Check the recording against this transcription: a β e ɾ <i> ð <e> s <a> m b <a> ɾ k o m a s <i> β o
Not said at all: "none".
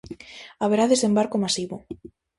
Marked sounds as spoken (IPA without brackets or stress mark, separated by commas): a, e, e, a, i